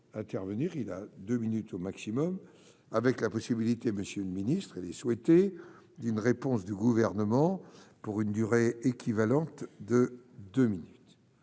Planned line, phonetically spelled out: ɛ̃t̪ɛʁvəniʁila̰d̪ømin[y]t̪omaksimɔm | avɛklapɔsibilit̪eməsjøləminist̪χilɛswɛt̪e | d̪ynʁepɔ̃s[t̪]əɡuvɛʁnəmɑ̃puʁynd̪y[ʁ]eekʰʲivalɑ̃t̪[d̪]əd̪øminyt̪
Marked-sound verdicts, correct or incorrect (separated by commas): correct, incorrect, correct, correct